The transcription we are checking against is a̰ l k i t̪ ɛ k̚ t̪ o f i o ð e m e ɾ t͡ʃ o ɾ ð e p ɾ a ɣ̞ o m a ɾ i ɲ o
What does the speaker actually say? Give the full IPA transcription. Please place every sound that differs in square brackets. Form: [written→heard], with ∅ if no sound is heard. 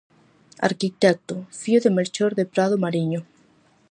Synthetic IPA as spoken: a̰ [l→ɾ] k i t̪ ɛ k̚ t̪ o f i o ð e m e ɾ t͡ʃ o ɾ ð e p ɾ a [ɣ̞→ð̞] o m a ɾ i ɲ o